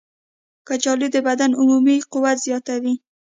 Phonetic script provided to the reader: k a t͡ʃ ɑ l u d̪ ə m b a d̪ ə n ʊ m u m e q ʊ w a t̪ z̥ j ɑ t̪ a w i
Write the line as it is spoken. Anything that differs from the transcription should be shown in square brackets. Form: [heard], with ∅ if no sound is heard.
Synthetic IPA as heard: k a t͡ʃ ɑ l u d̪ ə [∅] b a d̪ [a] n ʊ m u m [i] q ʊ w a t̪ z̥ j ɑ t̪ a w i